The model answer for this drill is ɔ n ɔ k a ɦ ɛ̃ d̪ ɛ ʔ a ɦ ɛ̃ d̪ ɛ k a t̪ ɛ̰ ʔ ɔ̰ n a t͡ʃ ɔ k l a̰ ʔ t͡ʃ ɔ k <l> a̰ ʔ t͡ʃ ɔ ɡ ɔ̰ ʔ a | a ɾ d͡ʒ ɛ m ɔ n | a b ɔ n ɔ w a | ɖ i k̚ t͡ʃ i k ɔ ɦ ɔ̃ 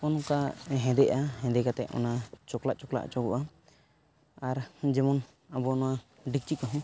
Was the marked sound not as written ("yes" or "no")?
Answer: no